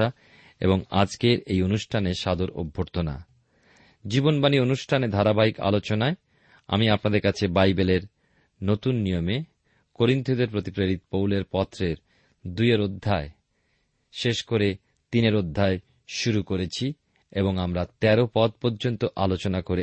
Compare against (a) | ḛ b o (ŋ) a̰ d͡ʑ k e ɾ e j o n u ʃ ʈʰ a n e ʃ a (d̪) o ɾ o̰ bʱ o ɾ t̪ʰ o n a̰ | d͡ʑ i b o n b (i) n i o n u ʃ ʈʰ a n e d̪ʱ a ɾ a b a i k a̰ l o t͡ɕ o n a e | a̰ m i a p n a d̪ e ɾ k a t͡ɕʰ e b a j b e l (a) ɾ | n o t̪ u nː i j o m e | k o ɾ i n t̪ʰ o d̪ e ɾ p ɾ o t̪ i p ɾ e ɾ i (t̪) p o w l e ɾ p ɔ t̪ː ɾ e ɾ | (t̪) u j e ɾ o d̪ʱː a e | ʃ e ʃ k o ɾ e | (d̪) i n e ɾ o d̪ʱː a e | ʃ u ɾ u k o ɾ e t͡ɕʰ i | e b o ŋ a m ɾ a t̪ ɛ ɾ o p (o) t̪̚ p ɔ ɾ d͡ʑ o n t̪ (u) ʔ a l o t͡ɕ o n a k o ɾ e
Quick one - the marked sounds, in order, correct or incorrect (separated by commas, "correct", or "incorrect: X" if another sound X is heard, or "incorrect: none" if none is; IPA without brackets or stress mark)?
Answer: correct, correct, correct, incorrect: a, incorrect: e, correct, incorrect: d̪, incorrect: t̪, incorrect: ɔ, incorrect: o